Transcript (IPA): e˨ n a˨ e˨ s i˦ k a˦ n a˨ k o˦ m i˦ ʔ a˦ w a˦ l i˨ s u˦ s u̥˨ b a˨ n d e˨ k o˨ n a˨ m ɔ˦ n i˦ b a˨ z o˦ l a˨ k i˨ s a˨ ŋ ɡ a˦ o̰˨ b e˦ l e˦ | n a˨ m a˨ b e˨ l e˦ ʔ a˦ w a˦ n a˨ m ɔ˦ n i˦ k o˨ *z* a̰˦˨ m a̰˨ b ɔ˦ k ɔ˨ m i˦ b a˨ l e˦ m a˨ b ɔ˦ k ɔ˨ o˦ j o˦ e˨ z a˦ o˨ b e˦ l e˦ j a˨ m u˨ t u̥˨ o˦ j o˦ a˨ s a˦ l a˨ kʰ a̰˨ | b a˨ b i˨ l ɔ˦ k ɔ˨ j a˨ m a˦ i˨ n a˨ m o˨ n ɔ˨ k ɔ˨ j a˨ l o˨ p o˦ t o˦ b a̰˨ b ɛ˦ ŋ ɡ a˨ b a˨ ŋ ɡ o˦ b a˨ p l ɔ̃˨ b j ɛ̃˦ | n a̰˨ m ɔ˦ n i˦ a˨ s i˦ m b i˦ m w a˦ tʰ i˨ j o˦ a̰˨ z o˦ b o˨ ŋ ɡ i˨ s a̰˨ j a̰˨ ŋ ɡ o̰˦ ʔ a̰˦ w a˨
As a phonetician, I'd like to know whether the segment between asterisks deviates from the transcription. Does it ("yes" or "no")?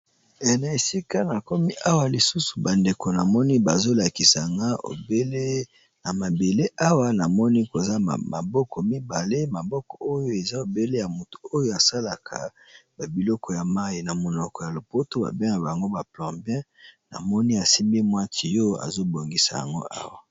no